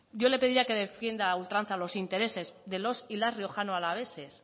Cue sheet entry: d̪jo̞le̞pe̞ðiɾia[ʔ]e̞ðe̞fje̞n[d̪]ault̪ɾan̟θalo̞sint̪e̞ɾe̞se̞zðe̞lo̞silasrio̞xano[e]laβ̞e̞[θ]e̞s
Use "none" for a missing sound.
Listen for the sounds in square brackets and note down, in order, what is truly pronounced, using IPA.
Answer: k, d̪, a, s

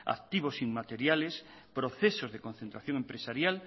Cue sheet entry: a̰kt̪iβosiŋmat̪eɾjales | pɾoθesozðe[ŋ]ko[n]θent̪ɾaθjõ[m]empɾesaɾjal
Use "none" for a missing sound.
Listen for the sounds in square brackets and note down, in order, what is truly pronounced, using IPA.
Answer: none, n, ŋ

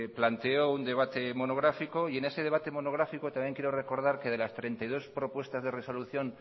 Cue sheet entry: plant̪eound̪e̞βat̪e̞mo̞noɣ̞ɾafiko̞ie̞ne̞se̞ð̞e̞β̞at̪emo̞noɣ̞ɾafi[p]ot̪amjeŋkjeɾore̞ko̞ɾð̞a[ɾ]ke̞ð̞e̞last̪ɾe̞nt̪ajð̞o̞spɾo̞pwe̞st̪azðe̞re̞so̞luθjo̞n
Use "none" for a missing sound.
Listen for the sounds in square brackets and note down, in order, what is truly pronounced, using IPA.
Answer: k, ɾ

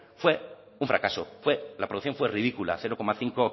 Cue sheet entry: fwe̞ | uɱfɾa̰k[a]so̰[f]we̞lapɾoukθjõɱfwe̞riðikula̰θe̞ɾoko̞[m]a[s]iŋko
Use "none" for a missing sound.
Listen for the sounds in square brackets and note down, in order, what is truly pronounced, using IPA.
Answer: a, f, m, θ

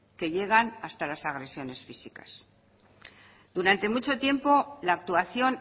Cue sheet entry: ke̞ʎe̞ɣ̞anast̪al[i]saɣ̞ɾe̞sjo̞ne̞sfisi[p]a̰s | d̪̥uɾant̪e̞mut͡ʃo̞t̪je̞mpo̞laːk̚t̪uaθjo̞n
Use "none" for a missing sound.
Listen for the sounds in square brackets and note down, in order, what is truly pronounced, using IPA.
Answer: a, k

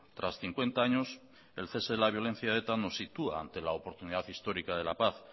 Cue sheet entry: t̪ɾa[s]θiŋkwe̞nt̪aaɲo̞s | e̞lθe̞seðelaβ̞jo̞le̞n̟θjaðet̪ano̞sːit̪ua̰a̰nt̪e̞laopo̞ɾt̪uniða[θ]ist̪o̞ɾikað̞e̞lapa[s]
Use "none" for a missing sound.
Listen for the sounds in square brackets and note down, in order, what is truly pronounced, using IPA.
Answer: s, θ, θ

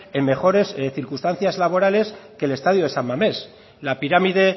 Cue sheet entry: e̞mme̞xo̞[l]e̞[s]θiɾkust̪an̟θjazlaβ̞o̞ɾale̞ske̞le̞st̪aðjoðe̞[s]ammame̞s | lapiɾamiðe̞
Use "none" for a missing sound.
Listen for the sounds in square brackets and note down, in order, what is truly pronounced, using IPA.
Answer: ɾ, s, s

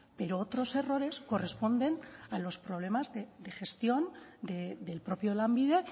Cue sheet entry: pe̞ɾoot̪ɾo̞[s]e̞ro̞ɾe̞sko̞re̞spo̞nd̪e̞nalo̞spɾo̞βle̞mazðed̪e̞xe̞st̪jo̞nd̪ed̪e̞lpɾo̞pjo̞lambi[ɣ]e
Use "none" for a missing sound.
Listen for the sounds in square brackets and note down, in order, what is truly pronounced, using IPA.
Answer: s, ð

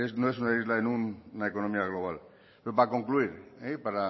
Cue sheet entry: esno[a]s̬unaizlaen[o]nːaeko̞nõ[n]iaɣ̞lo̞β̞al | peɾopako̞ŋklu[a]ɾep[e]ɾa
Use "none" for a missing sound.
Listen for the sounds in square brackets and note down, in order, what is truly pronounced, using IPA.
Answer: e, u, m, i, a

